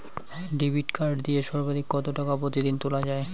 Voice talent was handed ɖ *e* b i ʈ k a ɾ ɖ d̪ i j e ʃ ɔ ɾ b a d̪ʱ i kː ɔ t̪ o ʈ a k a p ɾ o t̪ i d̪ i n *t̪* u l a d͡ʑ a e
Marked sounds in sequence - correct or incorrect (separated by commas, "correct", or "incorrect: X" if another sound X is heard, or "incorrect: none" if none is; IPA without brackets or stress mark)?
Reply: incorrect: i, correct